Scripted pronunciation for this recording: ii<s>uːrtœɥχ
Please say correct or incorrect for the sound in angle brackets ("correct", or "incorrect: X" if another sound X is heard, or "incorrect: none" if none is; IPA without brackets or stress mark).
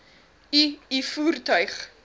incorrect: f